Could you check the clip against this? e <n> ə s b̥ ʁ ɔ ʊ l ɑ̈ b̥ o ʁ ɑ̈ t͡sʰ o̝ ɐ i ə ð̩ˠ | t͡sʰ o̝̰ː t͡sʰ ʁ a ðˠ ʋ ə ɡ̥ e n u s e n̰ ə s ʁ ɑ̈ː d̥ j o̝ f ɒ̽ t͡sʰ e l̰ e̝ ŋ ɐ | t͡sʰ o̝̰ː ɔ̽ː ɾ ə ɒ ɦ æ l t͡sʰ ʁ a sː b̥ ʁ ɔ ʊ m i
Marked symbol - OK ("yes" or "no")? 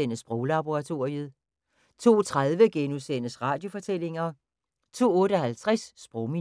yes